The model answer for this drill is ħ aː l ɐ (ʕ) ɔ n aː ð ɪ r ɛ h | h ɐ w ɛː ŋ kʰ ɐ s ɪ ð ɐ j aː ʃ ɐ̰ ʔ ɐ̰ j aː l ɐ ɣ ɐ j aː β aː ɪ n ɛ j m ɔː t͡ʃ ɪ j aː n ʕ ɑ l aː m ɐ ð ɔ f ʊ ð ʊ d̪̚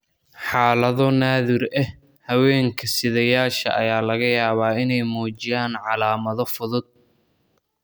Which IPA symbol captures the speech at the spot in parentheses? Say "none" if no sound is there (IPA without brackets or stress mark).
ð